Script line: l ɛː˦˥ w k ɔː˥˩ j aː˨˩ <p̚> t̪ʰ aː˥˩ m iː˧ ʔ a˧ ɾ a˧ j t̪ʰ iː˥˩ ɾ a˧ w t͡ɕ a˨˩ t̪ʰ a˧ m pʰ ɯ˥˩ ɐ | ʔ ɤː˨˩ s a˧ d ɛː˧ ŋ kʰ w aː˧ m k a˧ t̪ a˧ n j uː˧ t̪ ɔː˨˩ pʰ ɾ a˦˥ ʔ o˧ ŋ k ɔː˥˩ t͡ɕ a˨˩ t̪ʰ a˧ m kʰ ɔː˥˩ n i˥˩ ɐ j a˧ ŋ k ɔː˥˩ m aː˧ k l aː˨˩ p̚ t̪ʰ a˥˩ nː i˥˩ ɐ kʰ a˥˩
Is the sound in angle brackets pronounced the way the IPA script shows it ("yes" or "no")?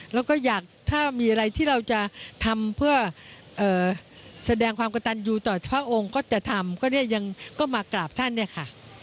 no